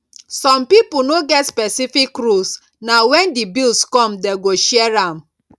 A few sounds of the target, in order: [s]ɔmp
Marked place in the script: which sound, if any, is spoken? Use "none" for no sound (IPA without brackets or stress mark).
s